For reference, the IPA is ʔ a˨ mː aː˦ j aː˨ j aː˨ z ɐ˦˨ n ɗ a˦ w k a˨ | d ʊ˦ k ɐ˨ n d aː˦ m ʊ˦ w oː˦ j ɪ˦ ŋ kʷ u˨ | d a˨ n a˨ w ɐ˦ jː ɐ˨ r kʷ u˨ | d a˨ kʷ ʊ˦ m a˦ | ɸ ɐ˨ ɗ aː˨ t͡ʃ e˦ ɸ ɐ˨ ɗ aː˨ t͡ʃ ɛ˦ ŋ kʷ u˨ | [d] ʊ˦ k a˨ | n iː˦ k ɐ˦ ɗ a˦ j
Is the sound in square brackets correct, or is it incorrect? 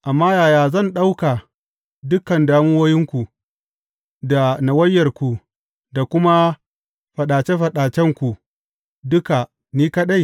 correct